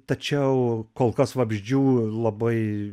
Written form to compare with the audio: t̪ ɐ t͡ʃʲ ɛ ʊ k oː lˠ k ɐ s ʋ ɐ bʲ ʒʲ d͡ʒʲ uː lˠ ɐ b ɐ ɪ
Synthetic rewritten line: t̪ ɐ t͡ʃʲ ɛ ʊ k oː lˠ k ɐ s ʋ ɐ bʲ ʒʲ d͡ʒʲ uː lˠ ɐ b ɐ ɪ